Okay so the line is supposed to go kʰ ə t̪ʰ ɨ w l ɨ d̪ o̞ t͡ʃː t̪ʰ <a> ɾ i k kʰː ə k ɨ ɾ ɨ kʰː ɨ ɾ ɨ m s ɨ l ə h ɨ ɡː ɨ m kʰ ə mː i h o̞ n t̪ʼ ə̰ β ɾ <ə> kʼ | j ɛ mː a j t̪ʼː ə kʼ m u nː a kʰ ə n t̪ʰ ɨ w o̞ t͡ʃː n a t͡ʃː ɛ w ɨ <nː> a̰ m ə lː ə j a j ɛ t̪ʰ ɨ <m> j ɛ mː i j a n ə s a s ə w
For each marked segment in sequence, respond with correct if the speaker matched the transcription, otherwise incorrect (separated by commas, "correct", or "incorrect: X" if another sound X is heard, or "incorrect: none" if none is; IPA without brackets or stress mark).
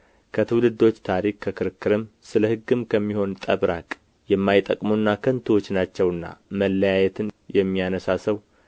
correct, incorrect: a, correct, incorrect: n